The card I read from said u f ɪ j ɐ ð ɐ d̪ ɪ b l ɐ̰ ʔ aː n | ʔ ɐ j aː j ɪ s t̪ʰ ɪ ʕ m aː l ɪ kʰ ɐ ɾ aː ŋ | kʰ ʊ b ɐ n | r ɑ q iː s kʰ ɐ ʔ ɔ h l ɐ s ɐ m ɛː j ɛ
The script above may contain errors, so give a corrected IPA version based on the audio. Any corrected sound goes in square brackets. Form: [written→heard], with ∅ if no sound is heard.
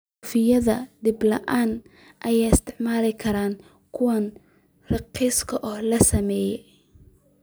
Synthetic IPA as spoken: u f ɪ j ɐ ð ɐ d̪ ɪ b l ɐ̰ ʔ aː n | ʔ ɐ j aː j ɪ s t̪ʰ ɪ ʕ m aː l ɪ kʰ ɐ ɾ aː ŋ | kʰ ʊ [b→w] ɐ n | r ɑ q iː s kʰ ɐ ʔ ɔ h l ɐ s ɐ m ɛː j ɛ